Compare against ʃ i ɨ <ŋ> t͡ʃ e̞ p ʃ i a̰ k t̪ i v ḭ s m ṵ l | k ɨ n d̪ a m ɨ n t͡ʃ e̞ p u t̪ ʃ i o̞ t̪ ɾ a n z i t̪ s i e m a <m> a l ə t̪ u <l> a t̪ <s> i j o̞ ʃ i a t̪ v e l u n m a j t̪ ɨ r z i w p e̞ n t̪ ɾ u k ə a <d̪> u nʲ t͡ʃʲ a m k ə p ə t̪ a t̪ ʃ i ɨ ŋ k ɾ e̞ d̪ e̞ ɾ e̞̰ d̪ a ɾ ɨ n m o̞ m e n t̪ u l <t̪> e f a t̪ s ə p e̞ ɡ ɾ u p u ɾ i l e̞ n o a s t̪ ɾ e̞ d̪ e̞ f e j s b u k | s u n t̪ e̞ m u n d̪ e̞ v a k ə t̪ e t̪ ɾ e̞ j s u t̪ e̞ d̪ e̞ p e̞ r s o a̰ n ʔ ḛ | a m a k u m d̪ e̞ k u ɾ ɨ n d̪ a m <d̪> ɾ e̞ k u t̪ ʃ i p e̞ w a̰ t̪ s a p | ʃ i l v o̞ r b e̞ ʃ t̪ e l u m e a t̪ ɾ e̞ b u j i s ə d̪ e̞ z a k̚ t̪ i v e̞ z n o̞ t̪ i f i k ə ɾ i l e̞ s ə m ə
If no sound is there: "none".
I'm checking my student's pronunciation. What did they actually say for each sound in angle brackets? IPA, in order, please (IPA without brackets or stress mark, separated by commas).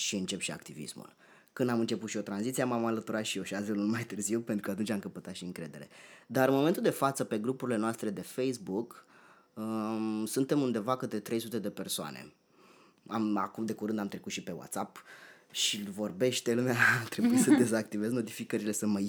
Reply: n, m, ɾ, ʃ, t̪, d̪, t̪